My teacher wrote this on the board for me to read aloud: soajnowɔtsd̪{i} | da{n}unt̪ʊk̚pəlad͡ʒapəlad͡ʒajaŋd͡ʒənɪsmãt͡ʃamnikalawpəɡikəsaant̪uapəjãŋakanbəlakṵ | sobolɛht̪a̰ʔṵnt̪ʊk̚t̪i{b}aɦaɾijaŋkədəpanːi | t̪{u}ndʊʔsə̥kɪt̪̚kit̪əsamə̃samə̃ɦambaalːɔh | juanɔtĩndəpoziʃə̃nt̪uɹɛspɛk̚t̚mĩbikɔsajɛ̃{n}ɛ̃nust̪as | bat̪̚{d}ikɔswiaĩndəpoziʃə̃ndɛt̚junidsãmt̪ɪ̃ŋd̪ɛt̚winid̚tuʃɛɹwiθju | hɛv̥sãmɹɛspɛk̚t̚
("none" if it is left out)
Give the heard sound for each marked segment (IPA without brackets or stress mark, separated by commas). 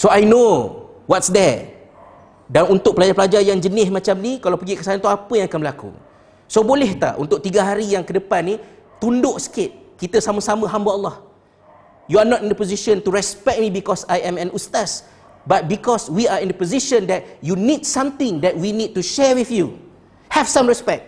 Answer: ɛ, n, ɡ, u, m, b